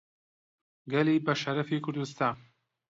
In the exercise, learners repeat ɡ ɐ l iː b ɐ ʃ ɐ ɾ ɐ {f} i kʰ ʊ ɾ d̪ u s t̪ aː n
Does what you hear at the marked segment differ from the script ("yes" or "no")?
no